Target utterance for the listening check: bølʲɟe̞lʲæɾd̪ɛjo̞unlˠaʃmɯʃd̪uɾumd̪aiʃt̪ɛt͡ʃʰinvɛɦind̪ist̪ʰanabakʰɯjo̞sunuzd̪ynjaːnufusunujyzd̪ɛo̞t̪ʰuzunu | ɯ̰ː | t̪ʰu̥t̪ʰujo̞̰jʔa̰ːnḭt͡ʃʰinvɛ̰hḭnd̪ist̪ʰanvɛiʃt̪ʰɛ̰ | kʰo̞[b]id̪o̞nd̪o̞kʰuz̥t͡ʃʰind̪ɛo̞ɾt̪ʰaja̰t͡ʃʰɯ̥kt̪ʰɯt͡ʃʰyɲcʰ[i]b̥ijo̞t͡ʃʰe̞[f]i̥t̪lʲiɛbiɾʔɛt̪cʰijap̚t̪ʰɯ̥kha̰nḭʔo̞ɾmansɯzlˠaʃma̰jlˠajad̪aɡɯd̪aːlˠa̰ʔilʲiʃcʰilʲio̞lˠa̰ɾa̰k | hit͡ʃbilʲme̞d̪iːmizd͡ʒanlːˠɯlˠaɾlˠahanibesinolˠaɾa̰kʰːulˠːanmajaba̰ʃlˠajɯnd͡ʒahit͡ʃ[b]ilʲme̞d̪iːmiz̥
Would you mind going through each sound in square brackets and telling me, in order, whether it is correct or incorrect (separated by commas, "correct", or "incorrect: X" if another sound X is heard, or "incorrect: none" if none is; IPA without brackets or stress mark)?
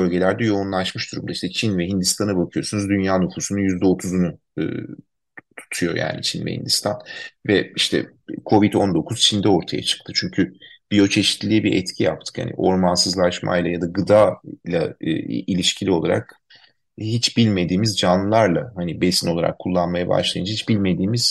incorrect: v, incorrect: y, incorrect: ʃ, correct